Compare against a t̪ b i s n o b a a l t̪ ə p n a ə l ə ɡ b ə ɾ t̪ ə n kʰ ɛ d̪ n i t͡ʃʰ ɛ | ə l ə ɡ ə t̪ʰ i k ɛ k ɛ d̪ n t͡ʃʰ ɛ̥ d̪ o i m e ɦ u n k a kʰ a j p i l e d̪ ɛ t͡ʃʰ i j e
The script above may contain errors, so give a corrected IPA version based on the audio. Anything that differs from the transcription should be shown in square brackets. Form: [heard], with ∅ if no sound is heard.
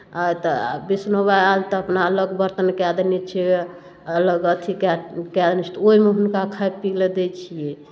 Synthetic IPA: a t̪ b i s n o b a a l t̪ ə p n a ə l ə ɡ b ə ɾ t̪ ə n [k] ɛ d̪ n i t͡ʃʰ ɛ | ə l ə ɡ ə t̪ʰ i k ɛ k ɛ d̪ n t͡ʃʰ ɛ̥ [t̪] o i m e ɦ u n k a kʰ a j p i l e d̪ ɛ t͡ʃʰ i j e